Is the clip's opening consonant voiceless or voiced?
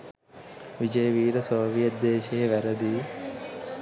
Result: voiced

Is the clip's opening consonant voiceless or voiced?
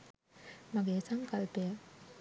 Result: voiced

